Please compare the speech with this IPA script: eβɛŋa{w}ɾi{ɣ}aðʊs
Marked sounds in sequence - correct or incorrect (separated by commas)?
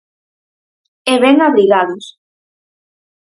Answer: incorrect, correct